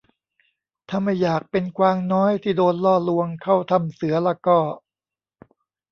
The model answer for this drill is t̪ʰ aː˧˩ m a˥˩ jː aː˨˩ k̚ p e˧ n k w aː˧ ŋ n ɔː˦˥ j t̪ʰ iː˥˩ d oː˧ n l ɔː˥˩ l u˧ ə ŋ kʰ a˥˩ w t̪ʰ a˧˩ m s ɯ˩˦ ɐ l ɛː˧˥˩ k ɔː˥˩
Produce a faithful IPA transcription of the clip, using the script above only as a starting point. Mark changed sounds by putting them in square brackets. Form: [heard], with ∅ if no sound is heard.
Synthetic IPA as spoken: t̪ʰ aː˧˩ m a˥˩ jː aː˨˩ k̚ p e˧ n k w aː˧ ŋ n ɔː˦˥ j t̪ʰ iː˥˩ d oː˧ n l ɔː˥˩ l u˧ ə ŋ kʰ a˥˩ w t̪ʰ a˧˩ m s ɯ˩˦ ɐ l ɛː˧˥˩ k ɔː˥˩